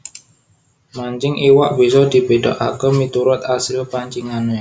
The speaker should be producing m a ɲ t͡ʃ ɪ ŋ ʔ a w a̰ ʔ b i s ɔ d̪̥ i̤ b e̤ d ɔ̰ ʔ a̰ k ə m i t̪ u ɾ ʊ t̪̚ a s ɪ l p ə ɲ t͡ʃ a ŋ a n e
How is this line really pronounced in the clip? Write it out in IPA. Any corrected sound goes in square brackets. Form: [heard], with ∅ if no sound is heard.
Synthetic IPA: m a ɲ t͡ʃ ɪ ŋ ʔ [i] w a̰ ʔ b i s ɔ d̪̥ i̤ b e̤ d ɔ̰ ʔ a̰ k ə m i t̪ u ɾ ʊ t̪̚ a s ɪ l p [a] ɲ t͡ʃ [i] ŋ a n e